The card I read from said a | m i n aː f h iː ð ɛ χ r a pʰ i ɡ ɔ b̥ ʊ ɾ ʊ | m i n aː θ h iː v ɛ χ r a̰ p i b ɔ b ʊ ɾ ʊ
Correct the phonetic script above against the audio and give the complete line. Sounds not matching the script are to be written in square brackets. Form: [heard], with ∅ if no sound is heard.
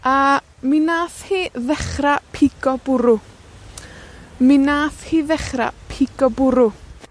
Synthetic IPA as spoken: a | m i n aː [θ] h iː ð ɛ χ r a pʰ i ɡ ɔ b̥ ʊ ɾ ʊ | m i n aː θ h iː [ð] ɛ χ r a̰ [pʰ] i [ɡ] ɔ b ʊ ɾ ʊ